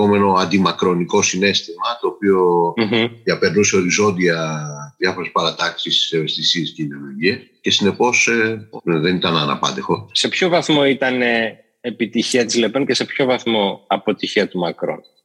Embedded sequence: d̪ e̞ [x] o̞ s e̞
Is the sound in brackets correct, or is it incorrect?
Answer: correct